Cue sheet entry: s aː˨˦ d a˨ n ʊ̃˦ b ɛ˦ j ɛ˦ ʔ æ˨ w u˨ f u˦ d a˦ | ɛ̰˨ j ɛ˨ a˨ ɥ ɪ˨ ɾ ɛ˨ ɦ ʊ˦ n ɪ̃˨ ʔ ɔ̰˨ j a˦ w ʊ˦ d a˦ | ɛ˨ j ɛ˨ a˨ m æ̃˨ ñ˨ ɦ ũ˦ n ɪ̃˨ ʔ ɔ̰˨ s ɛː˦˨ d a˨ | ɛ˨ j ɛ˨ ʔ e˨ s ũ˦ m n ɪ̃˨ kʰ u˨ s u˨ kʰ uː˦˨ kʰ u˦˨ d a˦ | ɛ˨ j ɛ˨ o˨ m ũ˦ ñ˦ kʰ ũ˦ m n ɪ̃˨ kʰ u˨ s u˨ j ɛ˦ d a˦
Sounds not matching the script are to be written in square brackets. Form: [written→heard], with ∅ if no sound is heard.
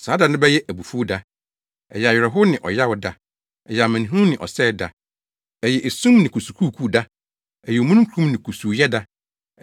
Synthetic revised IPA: s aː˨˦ d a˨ n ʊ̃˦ b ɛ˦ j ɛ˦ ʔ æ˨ [w→b] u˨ f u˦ d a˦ | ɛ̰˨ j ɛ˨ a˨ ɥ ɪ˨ ɾ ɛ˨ ɦ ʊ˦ n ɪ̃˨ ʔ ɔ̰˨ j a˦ w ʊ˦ d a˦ | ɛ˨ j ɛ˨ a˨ m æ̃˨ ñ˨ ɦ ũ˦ n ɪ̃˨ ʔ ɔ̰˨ s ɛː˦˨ d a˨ | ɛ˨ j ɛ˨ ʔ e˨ s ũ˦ m n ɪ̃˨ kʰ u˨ s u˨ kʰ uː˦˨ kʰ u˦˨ d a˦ | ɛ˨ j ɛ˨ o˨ m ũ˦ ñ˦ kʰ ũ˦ m n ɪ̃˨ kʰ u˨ s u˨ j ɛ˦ d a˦